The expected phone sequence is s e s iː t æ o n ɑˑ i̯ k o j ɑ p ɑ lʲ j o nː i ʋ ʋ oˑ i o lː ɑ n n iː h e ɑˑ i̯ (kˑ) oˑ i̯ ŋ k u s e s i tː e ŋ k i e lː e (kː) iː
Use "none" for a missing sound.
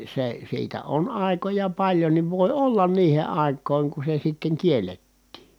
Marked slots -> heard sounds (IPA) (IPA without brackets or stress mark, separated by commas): kˑ, tː